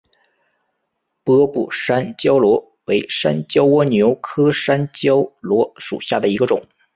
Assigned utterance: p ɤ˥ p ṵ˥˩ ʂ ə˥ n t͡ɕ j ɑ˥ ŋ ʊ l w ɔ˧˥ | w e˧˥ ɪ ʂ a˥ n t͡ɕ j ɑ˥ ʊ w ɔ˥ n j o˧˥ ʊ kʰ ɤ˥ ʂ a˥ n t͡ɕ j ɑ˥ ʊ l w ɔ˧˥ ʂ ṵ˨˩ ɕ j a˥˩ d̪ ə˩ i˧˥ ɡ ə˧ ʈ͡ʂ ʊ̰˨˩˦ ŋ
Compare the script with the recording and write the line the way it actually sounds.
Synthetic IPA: p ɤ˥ p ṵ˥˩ ʂ a˥ n t͡ɕ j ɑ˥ ʊ l w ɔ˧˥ | w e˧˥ ɪ ʂ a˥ n t͡ɕ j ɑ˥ ʊ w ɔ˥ n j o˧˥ ʊ kʰ ɤ˥ ʂ a˥ n t͡ɕ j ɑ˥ ʊ l w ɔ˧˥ ʂ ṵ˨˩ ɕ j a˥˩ d̪ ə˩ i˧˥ ɡ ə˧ ʈ͡ʂ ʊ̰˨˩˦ ŋ